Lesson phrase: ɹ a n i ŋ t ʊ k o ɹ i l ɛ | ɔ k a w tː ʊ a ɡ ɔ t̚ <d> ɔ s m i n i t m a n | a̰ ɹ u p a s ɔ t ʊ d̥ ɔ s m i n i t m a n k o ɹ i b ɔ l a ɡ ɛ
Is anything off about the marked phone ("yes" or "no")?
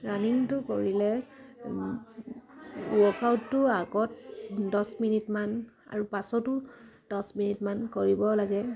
no